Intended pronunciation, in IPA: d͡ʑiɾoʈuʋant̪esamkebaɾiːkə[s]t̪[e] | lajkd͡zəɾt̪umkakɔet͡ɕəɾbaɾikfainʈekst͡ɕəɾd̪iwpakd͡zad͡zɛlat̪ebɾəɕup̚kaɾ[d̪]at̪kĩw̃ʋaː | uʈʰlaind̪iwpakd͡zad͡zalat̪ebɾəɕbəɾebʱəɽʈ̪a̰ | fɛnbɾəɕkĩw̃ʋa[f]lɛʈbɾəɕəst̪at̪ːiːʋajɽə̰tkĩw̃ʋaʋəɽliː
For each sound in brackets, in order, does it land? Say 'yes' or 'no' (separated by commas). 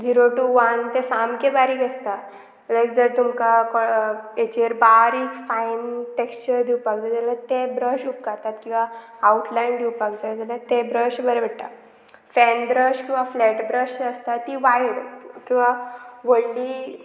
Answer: yes, no, no, yes